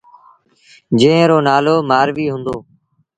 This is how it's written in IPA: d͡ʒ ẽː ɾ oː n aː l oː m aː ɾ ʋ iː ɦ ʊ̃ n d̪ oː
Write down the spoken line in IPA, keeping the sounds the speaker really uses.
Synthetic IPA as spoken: d͡ʒ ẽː ɾ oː n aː l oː m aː ɾ ʋ iː ɦ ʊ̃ n d̪ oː